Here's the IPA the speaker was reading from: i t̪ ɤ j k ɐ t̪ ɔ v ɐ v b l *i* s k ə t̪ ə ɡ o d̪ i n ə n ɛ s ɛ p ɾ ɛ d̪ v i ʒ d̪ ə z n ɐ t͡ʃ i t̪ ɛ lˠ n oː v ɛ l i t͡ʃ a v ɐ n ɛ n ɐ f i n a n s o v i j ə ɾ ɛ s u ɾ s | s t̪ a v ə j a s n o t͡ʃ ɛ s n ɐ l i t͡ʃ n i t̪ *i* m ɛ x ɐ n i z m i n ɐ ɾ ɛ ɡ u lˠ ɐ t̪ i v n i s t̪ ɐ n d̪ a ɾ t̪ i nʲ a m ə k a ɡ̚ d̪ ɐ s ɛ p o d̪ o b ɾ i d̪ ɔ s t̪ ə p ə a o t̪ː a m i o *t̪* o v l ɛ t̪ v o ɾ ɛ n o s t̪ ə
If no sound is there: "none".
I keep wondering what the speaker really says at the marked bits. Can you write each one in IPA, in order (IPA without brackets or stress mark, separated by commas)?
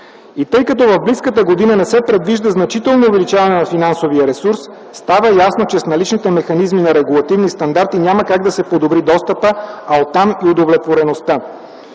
i, ɛ, d̪